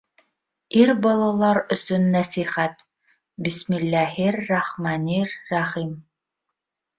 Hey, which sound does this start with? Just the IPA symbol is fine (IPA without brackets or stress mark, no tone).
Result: i